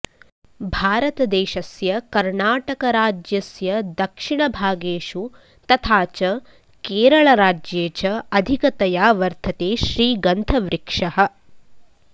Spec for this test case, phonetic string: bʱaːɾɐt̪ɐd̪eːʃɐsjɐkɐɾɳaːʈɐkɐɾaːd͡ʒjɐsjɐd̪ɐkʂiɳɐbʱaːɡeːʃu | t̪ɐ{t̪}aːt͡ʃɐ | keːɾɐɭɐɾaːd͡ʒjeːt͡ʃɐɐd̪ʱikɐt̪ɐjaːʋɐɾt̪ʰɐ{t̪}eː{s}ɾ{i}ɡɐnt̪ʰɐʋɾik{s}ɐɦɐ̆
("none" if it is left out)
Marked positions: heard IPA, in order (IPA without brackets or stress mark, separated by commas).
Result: t̪ʰ, t̪, ʃ, iː, ʂ